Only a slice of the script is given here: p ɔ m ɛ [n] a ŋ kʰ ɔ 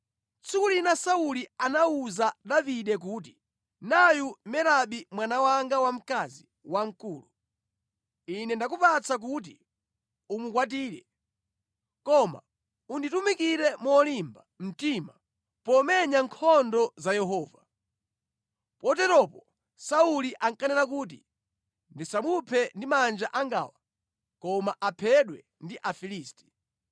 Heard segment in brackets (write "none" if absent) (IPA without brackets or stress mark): ɲ